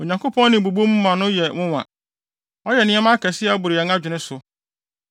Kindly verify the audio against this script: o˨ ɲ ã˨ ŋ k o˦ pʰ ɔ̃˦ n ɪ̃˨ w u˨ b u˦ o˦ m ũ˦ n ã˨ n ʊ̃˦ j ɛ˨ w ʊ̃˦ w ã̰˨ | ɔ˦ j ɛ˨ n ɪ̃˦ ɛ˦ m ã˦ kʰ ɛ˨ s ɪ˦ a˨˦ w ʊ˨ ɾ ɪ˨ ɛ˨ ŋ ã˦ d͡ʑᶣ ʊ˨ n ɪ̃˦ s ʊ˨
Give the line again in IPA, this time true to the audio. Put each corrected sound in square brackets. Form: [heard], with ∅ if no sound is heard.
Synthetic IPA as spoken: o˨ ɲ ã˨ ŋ k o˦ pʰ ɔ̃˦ n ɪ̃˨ [b] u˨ b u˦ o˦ m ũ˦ [m] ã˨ n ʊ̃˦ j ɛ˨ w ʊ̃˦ w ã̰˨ | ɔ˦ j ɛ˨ n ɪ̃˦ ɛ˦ m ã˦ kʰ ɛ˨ s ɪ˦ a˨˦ [b] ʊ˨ ɾ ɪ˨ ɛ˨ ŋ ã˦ d͡ʑᶣ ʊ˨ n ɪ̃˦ s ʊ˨